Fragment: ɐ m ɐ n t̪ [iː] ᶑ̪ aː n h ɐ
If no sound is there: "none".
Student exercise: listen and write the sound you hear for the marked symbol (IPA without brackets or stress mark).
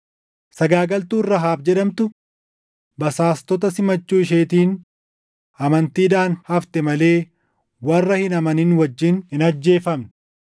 iː